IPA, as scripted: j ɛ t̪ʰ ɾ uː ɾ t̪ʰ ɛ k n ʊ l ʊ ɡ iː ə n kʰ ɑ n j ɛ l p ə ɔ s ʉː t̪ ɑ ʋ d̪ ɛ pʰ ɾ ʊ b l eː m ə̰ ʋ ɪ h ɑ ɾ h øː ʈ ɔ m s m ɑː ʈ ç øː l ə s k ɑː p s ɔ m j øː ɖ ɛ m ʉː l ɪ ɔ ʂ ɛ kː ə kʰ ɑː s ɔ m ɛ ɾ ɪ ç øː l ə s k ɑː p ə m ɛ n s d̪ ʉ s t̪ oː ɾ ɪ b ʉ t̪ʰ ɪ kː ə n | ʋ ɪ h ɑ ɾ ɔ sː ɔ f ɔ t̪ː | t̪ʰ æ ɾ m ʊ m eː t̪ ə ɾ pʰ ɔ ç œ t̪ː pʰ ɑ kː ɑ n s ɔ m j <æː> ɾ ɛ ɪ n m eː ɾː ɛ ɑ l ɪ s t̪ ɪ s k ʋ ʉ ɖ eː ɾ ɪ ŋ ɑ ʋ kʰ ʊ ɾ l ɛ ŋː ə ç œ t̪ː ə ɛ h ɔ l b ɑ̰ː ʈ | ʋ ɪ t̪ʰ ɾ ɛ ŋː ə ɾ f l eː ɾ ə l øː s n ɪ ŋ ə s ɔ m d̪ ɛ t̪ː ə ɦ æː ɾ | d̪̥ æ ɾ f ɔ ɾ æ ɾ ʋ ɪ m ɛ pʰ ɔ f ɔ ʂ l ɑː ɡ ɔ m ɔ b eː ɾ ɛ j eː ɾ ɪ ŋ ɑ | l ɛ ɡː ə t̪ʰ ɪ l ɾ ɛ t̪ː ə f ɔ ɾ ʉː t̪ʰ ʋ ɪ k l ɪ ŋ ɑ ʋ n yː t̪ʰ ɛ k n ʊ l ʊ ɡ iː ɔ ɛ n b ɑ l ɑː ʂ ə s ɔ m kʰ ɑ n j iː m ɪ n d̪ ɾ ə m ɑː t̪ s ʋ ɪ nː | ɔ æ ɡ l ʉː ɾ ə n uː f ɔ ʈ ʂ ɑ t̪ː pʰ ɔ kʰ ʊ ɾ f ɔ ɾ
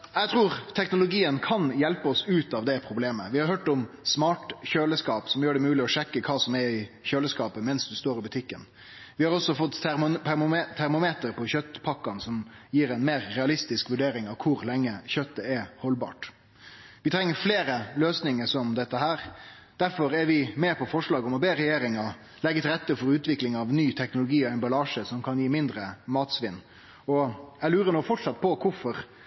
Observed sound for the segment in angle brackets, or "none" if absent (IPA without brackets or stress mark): iː